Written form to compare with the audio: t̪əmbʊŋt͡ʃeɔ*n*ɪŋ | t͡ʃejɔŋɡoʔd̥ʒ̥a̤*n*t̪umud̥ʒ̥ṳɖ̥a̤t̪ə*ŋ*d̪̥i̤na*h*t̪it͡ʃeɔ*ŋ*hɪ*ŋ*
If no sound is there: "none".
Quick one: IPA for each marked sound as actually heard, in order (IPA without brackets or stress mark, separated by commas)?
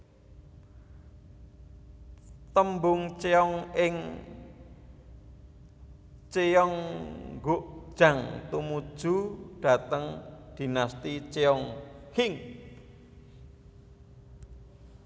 ŋ, ŋ, ŋ, s, ŋ, ŋ